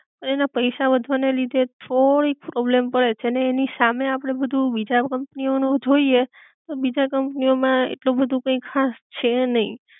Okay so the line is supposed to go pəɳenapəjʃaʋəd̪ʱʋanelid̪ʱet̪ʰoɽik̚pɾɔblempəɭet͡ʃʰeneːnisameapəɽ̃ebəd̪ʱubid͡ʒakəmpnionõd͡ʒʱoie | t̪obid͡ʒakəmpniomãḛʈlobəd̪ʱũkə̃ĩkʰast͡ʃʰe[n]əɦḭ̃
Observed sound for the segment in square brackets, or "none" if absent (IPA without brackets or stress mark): n